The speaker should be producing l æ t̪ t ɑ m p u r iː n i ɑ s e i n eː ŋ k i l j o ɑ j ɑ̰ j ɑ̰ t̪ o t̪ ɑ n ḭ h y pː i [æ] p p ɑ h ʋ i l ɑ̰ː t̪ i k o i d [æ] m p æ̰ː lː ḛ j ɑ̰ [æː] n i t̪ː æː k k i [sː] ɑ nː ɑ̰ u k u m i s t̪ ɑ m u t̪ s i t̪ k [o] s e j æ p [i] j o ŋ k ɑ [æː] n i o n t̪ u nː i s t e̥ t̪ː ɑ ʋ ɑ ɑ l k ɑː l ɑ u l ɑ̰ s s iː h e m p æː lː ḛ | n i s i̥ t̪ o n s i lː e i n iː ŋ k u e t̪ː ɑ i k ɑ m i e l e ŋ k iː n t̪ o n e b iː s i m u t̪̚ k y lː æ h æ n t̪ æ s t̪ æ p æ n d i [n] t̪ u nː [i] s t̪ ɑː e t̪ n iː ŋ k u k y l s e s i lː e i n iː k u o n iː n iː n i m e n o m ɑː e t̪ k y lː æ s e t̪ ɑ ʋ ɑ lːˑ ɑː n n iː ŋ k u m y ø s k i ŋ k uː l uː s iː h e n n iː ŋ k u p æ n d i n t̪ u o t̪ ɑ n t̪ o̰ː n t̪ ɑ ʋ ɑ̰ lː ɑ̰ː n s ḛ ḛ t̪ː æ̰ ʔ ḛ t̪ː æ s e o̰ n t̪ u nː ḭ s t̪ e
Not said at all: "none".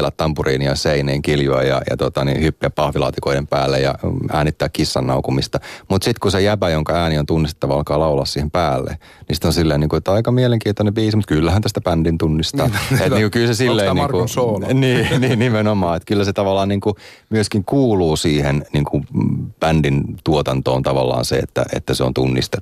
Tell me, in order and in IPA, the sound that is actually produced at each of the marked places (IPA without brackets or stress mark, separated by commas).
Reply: æ, e, æː, sː, u, æ, æː, n, i